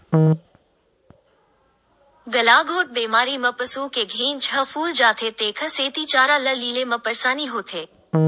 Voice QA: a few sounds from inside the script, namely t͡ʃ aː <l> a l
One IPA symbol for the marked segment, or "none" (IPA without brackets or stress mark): ɾ